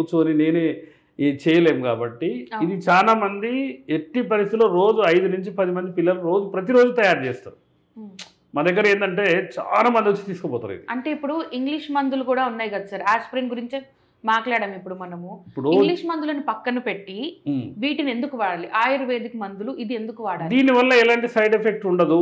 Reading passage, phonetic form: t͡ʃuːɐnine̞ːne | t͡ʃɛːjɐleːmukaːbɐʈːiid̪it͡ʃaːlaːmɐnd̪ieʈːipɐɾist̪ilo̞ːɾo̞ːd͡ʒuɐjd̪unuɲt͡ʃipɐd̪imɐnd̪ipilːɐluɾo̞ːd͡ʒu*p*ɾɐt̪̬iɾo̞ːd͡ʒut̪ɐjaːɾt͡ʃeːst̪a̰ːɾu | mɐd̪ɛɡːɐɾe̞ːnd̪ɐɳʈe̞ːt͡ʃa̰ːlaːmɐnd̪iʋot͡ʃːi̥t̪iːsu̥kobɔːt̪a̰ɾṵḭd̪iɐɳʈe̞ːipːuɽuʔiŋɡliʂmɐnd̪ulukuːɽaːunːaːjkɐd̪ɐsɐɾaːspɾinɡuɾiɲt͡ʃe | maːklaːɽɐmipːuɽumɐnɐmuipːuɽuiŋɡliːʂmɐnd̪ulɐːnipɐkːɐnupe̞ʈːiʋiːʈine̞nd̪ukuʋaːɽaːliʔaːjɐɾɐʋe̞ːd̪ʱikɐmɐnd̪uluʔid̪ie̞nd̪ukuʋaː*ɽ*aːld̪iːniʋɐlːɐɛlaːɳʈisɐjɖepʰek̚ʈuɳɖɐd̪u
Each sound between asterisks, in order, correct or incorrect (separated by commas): correct, correct